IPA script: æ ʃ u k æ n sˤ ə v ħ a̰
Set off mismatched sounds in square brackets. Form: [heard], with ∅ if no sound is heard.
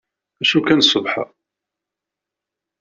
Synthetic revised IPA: æ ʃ u k æ n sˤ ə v ħ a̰